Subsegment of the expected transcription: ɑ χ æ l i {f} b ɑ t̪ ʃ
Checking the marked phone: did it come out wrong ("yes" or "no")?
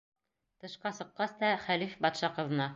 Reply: no